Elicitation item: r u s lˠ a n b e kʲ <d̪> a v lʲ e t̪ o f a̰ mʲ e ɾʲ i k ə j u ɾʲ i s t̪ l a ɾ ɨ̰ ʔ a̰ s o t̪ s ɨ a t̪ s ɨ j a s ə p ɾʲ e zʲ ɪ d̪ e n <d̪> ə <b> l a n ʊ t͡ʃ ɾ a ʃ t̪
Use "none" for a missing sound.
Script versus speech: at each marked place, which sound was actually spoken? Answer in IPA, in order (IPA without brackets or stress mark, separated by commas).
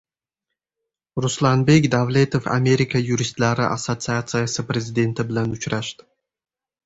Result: d̪, t̪, b